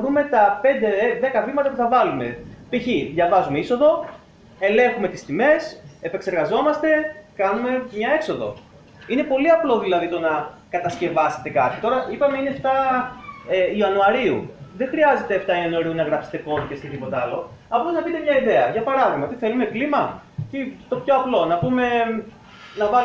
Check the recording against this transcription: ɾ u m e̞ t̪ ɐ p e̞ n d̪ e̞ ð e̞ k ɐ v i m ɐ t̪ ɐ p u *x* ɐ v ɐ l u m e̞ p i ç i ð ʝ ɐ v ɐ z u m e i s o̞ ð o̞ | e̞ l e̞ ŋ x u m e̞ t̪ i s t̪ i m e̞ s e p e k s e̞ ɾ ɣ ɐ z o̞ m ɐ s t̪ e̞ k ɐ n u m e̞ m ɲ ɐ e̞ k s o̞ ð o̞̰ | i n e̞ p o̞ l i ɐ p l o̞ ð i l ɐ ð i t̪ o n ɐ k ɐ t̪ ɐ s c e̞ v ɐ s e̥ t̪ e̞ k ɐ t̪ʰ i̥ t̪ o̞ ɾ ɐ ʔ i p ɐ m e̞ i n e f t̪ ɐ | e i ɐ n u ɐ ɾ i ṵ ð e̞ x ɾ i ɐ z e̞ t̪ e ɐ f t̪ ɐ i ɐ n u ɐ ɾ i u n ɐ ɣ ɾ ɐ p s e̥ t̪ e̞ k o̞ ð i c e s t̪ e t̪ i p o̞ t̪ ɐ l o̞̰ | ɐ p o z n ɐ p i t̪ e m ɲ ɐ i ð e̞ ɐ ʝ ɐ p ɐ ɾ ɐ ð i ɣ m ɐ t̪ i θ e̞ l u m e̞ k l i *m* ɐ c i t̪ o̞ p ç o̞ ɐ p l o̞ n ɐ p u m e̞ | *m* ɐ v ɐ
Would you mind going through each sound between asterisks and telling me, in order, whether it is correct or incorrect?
incorrect: θ, correct, incorrect: n

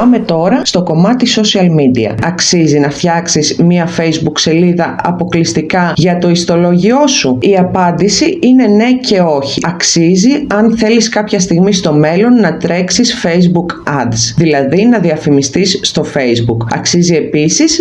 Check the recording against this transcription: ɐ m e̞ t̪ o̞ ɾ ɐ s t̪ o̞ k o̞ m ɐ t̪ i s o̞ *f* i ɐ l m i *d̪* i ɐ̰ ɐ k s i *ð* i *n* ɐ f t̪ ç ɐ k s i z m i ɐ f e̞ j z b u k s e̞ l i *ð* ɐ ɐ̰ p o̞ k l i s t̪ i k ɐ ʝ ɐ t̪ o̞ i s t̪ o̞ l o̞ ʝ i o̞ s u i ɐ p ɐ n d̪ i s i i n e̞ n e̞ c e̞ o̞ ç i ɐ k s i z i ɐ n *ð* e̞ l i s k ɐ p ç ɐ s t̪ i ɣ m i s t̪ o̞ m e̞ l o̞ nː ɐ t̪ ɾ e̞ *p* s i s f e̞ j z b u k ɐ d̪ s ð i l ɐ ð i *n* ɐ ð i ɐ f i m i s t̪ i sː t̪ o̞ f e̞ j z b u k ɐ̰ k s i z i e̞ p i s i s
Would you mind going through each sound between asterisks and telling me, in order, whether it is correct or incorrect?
incorrect: s, correct, incorrect: z, correct, correct, incorrect: θ, incorrect: k, correct

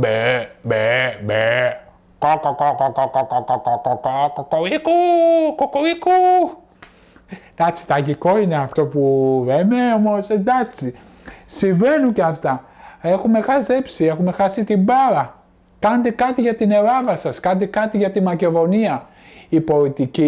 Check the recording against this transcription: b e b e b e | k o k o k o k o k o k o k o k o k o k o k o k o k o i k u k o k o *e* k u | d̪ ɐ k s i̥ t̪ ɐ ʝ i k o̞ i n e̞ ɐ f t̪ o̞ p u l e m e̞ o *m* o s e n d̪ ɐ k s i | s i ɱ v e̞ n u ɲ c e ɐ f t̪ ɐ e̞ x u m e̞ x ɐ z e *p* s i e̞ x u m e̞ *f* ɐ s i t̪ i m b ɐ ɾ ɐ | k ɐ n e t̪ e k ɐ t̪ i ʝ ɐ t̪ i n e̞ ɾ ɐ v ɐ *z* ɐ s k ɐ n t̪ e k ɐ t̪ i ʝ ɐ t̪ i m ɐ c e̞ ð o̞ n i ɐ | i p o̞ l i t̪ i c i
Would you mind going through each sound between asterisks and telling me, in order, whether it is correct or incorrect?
incorrect: i, correct, correct, incorrect: x, incorrect: s

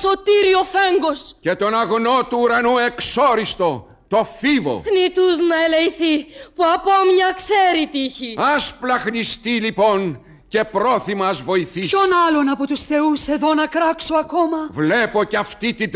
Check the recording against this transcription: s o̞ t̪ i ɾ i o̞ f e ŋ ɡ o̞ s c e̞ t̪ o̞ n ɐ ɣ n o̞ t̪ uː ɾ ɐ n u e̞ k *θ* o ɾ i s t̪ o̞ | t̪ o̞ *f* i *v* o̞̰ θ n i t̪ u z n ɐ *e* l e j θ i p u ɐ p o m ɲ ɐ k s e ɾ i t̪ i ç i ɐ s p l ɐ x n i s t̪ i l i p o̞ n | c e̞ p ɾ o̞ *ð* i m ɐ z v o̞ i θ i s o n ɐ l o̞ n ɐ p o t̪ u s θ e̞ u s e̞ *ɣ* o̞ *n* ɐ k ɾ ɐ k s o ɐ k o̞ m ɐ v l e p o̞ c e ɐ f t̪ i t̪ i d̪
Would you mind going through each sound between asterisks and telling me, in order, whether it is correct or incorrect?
incorrect: s, correct, correct, correct, incorrect: θ, incorrect: ð, correct

